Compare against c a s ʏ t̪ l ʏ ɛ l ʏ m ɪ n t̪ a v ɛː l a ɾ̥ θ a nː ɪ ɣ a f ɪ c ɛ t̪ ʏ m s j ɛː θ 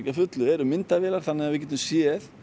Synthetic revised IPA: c a f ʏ t̪ l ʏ ɛ ɾ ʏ m ɪ n t̪ a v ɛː l a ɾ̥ θ a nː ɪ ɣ a v ɪ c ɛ t̪ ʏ m s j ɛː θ